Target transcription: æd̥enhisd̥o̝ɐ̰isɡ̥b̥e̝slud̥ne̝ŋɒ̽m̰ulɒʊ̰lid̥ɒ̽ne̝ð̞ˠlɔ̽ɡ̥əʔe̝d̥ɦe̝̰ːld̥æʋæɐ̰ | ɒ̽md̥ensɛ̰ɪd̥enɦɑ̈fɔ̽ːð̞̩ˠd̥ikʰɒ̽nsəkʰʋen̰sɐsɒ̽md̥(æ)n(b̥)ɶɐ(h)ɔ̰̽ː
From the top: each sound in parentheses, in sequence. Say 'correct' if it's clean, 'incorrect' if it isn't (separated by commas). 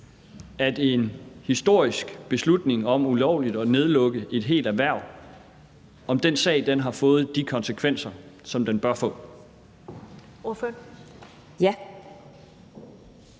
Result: incorrect, correct, incorrect